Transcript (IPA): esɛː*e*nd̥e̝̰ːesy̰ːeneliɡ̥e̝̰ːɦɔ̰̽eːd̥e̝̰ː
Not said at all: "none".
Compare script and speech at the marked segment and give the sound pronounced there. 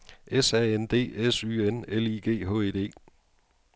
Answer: e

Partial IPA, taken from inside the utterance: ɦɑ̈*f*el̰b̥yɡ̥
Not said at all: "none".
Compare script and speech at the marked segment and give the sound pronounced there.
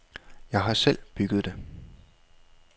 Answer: s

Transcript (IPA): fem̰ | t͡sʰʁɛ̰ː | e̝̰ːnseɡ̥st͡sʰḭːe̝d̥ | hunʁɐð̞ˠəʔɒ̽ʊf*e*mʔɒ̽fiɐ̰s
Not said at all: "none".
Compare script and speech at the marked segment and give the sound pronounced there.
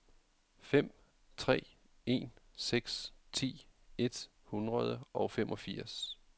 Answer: e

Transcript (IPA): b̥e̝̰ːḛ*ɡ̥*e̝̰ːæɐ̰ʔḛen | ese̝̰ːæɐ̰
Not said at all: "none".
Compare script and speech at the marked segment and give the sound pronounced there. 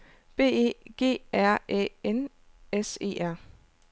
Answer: ɡ̥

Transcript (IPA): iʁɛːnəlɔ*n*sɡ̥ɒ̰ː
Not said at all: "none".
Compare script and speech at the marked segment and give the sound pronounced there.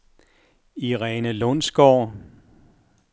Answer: n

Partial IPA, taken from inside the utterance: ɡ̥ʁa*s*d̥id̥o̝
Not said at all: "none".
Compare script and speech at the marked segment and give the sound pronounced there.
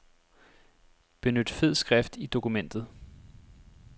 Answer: f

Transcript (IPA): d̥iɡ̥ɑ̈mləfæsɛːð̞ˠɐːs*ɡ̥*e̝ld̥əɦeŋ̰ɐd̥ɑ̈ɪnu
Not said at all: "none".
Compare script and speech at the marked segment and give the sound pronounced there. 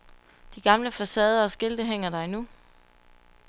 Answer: ɡ̥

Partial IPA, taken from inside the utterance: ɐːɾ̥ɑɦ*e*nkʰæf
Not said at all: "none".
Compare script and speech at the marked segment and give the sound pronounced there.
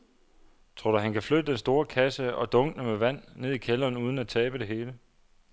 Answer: æ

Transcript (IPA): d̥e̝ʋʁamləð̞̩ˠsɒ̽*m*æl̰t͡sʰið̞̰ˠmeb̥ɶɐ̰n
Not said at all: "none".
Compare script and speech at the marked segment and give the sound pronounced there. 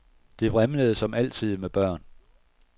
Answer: m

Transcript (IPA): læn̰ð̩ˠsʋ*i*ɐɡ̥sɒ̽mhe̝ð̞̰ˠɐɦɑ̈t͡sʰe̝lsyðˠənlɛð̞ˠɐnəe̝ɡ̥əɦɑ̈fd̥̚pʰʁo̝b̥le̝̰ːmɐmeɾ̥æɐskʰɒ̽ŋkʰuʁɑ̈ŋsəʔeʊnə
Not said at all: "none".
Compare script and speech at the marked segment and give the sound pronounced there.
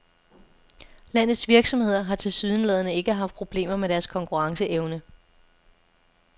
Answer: i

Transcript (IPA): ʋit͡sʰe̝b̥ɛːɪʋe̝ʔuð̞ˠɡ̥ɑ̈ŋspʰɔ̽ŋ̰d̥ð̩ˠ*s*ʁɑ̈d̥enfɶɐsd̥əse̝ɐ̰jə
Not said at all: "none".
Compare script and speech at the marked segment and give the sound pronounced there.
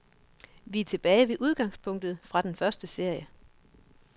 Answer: f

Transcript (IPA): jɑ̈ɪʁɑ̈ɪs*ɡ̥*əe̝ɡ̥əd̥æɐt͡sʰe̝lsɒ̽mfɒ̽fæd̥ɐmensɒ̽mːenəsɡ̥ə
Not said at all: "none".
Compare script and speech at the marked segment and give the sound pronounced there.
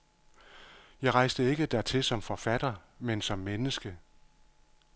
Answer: d̥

